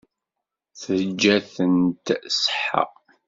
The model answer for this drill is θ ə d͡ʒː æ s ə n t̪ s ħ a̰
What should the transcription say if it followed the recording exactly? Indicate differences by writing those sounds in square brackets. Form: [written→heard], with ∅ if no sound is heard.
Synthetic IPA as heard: θ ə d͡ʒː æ [s→θ] ə n t̪ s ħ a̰